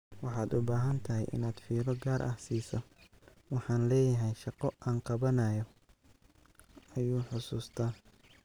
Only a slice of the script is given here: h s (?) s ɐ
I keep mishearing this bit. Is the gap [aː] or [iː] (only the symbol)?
iː